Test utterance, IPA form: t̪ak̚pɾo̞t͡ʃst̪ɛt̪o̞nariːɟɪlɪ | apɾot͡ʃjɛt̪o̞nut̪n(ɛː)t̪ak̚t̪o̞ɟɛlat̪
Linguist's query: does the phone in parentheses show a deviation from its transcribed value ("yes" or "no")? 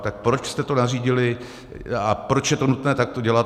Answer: no